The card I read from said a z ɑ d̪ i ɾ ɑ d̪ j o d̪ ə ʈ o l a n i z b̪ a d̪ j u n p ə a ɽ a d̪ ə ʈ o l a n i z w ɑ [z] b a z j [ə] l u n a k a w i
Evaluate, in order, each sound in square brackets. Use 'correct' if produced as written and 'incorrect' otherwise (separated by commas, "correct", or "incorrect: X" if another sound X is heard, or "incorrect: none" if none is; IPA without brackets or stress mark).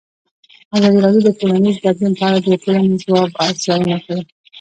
incorrect: none, incorrect: ɑ